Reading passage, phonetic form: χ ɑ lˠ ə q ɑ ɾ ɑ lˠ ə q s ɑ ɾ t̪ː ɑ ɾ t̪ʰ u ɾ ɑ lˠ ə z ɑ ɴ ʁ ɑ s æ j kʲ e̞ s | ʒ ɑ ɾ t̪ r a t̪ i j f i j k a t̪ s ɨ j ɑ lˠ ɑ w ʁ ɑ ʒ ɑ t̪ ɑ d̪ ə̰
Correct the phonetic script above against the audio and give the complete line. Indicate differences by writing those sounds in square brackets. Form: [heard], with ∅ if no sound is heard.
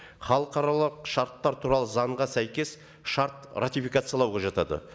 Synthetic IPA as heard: χ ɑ lˠ ə q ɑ ɾ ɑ lˠ ə q [ʃ] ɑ ɾ t̪ː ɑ ɾ t̪ʰ u ɾ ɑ lˠ ə z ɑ ɴ ʁ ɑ s æ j kʲ e̞ s | [ʃ] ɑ ɾ t̪ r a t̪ i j f i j k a t̪ s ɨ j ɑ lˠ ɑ w ʁ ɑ ʒ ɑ t̪ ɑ d̪ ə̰